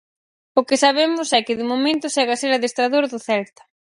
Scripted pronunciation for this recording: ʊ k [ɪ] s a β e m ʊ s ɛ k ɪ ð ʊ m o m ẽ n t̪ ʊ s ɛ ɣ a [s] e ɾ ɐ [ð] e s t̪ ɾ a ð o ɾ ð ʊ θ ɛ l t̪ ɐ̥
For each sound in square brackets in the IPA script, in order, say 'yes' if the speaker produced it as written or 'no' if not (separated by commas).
yes, yes, yes